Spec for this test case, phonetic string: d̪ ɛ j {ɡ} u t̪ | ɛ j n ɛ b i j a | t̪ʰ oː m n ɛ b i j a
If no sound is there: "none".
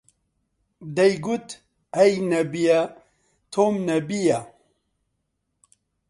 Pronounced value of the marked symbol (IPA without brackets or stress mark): ɡ